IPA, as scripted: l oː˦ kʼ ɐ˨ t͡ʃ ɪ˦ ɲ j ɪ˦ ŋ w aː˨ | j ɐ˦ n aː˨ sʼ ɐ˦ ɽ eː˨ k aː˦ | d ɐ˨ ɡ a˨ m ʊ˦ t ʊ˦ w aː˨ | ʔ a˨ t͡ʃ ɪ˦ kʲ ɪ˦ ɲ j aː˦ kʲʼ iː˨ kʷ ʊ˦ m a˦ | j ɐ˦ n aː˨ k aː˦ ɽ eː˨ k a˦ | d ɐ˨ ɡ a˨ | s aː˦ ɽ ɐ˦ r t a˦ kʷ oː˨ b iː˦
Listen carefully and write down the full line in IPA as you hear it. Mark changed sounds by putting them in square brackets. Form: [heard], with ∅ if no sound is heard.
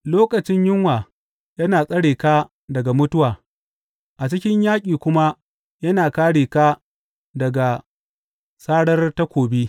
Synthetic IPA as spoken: l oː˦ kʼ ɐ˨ t͡ʃ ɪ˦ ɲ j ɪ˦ ŋ w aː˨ | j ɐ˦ n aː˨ sʼ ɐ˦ ɽ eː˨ k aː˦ | d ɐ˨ ɡ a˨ m ʊ˦ t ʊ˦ w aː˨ | ʔ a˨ t͡ʃ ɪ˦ kʲ ɪ˦ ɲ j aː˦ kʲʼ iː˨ kʷ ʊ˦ m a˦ | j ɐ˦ n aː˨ k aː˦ ɽ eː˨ k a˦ | d ɐ˨ ɡ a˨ | s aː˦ ɽ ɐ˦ r t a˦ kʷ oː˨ b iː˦